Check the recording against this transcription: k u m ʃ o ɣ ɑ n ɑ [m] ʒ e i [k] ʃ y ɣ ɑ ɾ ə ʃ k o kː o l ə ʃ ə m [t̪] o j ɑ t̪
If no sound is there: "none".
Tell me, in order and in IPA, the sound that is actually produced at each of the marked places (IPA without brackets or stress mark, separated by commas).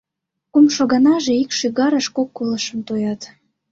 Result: none, k, t̪